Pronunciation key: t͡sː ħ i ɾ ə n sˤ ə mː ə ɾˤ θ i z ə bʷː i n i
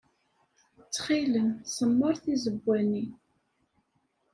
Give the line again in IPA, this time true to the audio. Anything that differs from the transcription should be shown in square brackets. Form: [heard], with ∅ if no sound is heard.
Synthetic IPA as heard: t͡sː [χ] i [l] ə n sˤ ə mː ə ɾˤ θ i z ə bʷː [æ] n i